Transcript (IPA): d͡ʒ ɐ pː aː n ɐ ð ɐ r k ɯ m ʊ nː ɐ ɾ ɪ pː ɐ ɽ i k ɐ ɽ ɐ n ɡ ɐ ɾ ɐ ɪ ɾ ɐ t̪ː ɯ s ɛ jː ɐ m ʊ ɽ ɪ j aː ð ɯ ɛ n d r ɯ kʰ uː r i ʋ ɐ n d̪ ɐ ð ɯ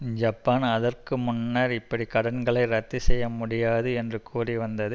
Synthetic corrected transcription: d͡ʒ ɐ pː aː n ɐ ð ɐ r k ɯ m ʊ nː ɐ ɾ ɪ pː ɐ ɽ i k ɐ ɽ ɐ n ɡ ɐ ɭ ɐ ɪ ɾ ɐ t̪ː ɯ s ɛ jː ɐ m ʊ ɽ ɪ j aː ð ɯ ɛ n d r ɯ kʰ uː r i ʋ ɐ n d̪ ɐ ð ɯ